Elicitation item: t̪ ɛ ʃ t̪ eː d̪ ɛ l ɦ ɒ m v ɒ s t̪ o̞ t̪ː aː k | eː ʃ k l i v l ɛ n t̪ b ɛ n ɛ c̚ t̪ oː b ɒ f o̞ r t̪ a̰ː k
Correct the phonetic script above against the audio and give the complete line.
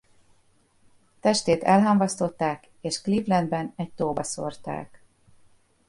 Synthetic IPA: t̪ ɛ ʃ t̪ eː t̪ ɛ l ɦ ɒ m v ɒ s t̪ o̞ t̪ː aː k | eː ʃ k l i v l ɛ n d̪ b ɛ n ɛ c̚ t̪ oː b ɒ s o̞ r t̪ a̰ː k